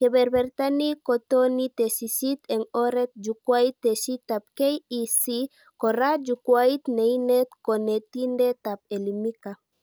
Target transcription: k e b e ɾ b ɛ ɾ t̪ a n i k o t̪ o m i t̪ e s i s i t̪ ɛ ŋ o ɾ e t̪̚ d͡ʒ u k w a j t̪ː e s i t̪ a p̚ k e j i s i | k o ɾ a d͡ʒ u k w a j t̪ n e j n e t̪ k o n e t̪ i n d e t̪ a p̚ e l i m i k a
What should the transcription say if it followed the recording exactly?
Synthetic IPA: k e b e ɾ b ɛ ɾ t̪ a n i k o t̪ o n i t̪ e s i s i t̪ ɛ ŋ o ɾ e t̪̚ d͡ʒ u k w a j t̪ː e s i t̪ a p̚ k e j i s i | k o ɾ a d͡ʒ u k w a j t̪ n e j n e t̪ k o n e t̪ i n d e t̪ a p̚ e l i m i k a